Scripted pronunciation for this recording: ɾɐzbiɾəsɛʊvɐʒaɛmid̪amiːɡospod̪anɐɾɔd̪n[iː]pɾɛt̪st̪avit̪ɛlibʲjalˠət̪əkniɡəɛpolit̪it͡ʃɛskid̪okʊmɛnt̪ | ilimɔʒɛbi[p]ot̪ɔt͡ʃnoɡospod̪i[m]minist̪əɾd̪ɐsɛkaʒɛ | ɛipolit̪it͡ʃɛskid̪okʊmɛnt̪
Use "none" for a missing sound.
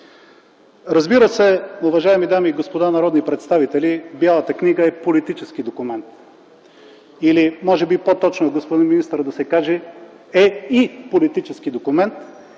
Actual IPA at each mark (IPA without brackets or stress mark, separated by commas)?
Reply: i, p, n